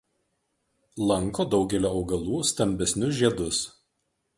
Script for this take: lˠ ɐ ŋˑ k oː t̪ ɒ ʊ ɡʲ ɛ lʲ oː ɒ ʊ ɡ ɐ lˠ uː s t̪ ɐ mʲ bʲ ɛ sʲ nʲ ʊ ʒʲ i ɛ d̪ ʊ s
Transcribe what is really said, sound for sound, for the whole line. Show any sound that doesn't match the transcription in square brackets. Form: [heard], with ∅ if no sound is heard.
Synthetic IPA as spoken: lˠ ɐ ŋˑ k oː [d̪] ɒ ʊ ɡʲ ɛ lʲ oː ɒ ʊ ɡ ɐ lˠ uː s t̪ ɐ mʲ bʲ ɛ sʲ nʲ ʊ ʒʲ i ɛ d̪ ʊ s